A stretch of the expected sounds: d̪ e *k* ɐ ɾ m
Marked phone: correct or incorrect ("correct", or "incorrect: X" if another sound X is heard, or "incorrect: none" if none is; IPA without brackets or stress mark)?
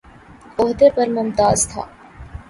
incorrect: p